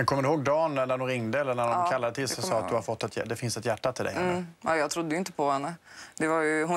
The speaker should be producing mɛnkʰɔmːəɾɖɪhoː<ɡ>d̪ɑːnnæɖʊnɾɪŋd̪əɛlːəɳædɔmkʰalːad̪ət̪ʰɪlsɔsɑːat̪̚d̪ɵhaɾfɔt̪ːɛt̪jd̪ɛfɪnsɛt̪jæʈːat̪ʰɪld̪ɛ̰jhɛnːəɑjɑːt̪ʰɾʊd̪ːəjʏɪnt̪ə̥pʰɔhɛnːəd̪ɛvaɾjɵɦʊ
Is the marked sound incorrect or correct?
correct